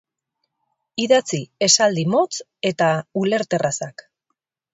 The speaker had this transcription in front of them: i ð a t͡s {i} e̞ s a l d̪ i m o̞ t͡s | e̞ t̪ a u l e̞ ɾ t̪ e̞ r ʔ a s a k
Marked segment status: correct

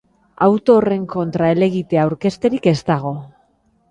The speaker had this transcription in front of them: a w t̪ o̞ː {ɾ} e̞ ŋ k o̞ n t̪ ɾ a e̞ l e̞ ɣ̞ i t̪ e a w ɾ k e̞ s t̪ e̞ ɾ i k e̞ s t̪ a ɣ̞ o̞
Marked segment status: incorrect: r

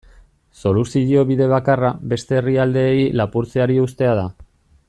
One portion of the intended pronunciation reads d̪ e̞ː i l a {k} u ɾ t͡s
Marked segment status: incorrect: p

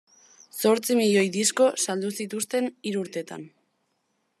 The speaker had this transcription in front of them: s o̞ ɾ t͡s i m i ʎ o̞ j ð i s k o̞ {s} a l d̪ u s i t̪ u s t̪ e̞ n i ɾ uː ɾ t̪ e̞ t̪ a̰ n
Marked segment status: correct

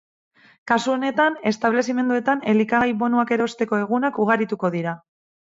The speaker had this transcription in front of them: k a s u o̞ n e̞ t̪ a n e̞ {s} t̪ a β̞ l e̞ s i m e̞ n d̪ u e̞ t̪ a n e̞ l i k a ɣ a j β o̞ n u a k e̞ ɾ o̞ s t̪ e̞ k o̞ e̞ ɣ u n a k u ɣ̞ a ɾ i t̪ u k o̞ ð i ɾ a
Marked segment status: correct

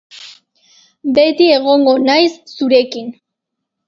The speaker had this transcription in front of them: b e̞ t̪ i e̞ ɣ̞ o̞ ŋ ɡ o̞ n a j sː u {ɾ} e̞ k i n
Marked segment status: correct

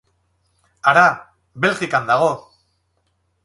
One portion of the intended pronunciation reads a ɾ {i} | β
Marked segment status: incorrect: a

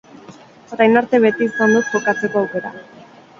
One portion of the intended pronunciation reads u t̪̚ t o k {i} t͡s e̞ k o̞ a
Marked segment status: incorrect: a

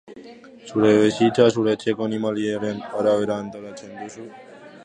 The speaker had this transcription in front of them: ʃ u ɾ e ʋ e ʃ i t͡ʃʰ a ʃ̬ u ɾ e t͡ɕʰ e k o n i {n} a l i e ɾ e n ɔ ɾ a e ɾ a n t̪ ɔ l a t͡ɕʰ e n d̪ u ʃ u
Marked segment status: incorrect: m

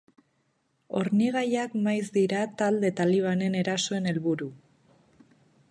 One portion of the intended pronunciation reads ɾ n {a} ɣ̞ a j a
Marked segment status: incorrect: i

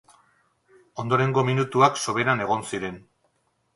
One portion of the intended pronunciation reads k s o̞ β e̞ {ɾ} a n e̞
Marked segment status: correct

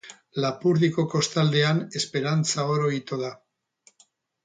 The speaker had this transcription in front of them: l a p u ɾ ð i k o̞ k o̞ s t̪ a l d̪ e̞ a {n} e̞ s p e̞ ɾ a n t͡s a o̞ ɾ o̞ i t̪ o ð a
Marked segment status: correct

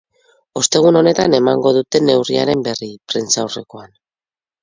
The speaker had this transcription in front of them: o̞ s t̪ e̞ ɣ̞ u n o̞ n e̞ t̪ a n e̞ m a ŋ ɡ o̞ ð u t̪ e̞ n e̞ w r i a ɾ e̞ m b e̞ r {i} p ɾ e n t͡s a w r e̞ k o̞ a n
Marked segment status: correct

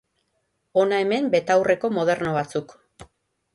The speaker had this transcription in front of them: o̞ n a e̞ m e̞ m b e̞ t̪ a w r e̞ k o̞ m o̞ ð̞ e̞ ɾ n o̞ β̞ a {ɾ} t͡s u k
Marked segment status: incorrect: none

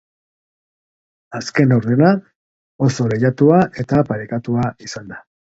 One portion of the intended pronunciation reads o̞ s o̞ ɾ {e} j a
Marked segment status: correct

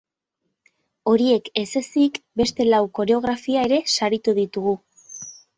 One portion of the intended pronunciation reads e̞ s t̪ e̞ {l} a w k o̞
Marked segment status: correct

